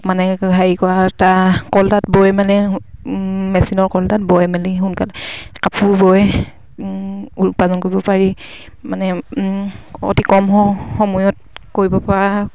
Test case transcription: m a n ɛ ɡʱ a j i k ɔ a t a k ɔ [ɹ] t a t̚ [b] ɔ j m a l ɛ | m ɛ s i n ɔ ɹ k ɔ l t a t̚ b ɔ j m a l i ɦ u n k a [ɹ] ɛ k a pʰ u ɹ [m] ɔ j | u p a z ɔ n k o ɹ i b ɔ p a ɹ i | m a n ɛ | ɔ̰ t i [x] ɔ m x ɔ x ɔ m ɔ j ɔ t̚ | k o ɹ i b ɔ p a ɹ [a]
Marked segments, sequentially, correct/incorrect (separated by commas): incorrect, correct, incorrect, incorrect, incorrect, correct